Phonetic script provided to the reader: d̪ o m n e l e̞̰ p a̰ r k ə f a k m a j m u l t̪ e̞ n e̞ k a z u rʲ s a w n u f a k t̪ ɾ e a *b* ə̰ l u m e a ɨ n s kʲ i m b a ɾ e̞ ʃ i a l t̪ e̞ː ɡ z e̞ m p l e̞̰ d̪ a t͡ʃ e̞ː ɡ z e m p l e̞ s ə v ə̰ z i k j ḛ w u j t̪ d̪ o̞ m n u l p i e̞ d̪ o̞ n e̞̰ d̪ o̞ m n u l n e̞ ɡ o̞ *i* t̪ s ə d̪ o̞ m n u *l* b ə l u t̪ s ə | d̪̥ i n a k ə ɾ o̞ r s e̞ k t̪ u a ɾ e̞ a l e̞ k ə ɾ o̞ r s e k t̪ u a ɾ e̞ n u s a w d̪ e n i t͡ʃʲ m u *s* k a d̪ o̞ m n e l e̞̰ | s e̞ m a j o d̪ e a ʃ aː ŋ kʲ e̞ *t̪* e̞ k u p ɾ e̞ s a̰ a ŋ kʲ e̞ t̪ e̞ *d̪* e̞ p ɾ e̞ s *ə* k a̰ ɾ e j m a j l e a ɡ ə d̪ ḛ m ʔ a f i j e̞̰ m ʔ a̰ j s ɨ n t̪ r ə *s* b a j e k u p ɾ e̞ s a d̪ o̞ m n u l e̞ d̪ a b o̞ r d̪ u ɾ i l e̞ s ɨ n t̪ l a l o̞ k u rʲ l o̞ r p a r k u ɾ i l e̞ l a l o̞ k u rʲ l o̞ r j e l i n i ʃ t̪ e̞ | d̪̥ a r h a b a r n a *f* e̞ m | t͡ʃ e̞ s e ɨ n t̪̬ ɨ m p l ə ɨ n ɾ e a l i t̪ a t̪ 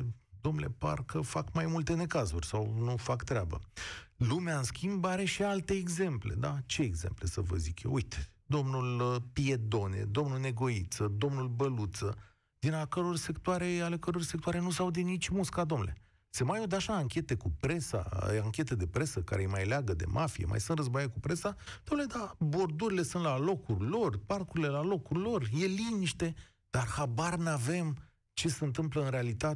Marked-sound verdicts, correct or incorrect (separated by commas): correct, correct, correct, correct, correct, correct, correct, incorrect, incorrect